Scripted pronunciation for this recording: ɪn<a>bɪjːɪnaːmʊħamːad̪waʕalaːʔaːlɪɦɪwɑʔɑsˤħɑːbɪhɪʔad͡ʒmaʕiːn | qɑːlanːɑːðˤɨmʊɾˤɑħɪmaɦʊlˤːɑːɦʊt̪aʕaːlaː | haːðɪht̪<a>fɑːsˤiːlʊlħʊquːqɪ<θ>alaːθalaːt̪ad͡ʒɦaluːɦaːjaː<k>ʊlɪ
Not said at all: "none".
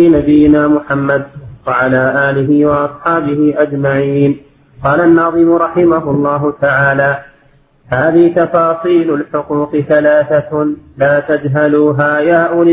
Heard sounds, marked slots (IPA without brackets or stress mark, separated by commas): a, ɑ, θ, ʔ